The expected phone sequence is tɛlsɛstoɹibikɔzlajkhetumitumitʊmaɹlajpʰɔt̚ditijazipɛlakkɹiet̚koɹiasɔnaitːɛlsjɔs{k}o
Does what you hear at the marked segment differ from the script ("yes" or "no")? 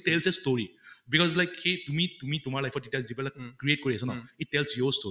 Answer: yes